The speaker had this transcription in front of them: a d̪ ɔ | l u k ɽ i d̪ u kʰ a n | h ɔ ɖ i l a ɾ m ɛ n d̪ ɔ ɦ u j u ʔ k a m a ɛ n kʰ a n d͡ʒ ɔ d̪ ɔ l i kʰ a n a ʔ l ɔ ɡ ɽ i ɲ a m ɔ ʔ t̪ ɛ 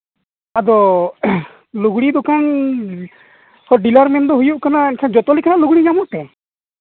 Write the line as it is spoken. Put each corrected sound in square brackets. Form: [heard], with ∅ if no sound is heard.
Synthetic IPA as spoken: a d̪ ɔ | l u [ɡ] ɽ i d̪ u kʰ a n | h ɔ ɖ i l a ɾ m ɛ n d̪ ɔ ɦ u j u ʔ k a [n] a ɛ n kʰ a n d͡ʒ ɔ [t̪] ɔ l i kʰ a n a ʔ l [u] ɡ ɽ i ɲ a m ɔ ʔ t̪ ɛ